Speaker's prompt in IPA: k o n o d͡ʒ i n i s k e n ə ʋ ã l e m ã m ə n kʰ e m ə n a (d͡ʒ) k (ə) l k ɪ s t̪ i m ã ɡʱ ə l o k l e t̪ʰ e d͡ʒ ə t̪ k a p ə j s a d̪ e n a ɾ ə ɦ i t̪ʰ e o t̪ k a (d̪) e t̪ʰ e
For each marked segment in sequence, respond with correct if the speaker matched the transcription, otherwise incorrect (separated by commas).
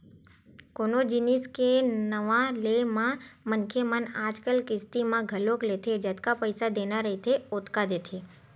correct, correct, correct